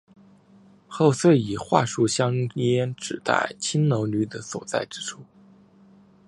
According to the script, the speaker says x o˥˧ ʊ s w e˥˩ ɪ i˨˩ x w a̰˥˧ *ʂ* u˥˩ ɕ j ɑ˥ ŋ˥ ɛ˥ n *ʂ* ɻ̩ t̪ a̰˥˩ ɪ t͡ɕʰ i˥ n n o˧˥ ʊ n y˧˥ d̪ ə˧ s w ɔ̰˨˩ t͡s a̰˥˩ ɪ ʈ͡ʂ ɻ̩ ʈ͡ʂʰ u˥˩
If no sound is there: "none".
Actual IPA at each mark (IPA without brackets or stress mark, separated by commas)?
ʂ, ʈ͡ʂ